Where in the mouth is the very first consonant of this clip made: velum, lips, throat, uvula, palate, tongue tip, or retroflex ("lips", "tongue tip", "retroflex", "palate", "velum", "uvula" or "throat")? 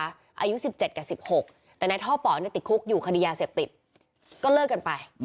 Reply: throat